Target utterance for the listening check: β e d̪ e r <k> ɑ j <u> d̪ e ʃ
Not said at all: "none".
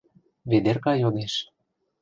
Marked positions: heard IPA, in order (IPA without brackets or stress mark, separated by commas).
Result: k, o